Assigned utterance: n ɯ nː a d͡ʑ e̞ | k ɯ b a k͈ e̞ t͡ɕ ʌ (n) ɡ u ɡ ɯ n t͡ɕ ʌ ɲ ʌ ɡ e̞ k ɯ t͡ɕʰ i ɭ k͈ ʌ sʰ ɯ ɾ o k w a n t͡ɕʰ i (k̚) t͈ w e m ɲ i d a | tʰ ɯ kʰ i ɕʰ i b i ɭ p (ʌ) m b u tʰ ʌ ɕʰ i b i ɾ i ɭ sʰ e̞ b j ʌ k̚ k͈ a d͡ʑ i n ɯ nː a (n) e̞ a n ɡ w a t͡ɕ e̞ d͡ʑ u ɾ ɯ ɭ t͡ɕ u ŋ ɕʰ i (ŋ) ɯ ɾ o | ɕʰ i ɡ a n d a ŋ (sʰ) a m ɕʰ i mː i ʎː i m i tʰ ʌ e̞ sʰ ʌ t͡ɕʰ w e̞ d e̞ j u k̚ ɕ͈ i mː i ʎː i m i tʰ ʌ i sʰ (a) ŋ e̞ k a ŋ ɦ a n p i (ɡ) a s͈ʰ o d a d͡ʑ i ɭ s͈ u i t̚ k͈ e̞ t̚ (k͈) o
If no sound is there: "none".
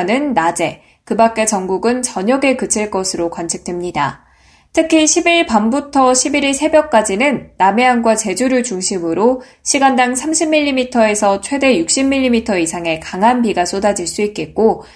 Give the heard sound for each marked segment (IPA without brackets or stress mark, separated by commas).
ŋ, k̚, a, m, m, sʰ, a, ɡ, k͈